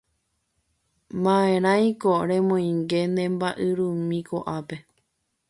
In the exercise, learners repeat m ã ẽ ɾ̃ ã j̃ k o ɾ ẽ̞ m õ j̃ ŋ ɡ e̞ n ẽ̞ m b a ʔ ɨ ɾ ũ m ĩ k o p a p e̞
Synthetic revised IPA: m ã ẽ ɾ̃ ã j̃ k o ɾ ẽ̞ m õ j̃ ŋ ɡ e̞ n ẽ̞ m b a ʔ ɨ ɾ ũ m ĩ k o ʔ a p e̞